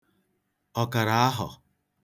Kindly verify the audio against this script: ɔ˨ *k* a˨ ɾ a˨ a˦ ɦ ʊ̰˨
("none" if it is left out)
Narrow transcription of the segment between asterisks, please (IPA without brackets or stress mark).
k